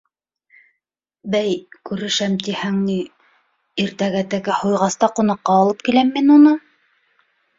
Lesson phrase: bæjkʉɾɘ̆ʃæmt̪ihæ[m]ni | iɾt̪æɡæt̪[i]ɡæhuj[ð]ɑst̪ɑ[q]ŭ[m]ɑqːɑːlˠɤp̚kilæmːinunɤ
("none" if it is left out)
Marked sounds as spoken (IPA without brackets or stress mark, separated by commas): ŋ, æ, ʁ, q, n